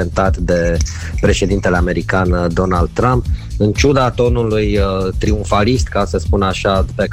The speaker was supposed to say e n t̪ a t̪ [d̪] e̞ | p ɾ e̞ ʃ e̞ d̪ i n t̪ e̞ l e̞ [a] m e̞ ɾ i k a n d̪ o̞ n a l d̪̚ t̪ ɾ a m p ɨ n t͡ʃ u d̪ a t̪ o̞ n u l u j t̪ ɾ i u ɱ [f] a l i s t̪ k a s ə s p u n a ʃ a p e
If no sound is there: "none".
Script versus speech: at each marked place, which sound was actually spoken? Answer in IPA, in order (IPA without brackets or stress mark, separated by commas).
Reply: d̪, a, f